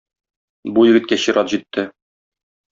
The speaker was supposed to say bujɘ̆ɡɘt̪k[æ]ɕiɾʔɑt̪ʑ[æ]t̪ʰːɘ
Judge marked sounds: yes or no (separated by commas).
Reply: yes, no